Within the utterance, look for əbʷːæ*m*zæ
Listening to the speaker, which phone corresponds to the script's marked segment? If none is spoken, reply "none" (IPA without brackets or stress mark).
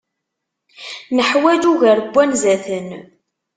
n